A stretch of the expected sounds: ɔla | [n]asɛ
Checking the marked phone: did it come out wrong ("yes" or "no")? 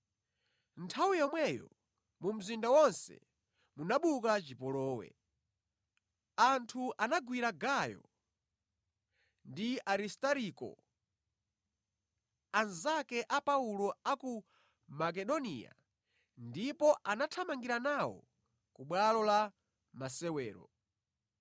yes